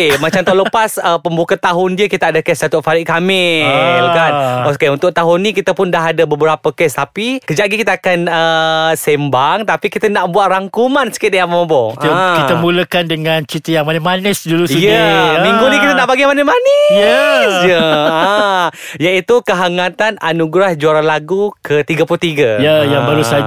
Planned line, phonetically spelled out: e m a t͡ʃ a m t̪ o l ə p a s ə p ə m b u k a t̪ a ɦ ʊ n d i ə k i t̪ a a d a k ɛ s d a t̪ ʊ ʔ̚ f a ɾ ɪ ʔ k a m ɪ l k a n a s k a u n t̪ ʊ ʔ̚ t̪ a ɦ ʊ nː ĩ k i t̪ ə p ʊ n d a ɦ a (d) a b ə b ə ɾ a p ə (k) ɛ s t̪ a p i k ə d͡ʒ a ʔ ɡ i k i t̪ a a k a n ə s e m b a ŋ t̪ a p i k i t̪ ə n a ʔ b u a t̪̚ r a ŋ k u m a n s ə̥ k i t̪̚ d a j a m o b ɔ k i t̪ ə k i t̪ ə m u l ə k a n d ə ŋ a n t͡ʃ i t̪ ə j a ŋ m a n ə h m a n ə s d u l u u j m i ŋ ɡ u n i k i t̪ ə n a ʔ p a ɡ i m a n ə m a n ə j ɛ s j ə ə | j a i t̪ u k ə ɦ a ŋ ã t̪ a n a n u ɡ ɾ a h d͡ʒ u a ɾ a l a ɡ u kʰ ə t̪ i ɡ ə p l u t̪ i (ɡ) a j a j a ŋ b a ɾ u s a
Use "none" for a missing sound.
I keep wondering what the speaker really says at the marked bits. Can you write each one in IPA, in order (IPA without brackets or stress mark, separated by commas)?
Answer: d, k, ɡ